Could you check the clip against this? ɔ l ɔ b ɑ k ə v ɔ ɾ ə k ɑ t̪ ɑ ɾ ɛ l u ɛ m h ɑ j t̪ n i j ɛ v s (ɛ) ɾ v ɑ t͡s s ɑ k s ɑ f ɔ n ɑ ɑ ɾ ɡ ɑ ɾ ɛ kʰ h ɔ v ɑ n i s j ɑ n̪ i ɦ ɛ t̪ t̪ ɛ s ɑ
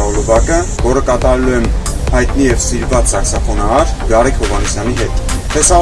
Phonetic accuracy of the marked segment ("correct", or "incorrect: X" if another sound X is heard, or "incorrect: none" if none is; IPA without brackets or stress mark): incorrect: i